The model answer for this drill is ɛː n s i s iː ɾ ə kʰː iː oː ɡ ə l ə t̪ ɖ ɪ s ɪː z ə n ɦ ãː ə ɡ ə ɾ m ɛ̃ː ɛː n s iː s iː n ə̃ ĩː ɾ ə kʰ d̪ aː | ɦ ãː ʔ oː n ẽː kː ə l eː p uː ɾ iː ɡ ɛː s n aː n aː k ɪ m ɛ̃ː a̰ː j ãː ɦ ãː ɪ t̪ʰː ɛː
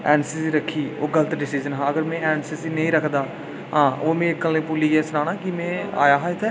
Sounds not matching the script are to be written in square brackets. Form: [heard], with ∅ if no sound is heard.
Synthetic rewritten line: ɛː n s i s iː ɾ ə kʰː iː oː ɡ ə l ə t̪ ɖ ɪ s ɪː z ə n ɦ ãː ə ɡ ə ɾ m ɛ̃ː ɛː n s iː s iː n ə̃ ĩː ɾ ə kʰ d̪ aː | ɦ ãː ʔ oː [m] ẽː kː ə l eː p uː [l] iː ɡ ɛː s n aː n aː k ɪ m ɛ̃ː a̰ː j [aː] ɦ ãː ɪ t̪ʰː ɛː